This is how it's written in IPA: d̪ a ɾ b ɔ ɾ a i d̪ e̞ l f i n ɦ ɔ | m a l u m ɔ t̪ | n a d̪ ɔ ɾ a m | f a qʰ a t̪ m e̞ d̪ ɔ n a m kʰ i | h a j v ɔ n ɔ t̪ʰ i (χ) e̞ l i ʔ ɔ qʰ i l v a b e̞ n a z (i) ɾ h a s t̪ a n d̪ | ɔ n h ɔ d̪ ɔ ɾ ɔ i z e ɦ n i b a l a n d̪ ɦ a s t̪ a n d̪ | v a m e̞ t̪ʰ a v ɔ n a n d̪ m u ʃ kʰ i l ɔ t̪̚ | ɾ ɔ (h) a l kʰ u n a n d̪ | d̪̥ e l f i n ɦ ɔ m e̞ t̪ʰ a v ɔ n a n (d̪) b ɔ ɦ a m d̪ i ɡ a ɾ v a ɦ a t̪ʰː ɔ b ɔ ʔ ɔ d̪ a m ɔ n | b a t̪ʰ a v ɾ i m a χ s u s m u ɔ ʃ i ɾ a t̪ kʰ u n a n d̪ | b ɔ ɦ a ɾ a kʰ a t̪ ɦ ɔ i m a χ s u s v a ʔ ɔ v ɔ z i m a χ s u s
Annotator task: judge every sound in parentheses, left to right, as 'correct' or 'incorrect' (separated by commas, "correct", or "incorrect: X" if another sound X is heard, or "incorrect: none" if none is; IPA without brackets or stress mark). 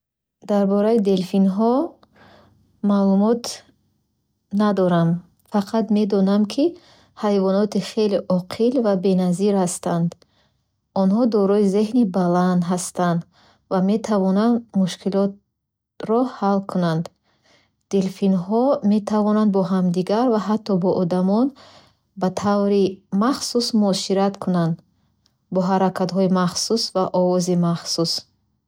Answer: correct, correct, correct, correct